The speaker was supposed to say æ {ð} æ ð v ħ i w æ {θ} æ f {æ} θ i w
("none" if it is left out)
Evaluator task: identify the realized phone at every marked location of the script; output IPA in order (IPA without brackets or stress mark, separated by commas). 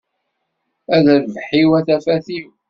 ð, θ, æ